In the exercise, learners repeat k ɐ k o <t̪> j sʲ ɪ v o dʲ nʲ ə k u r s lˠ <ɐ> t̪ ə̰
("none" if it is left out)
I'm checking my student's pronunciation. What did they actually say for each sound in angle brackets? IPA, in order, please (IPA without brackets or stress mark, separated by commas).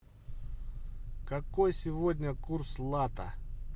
none, a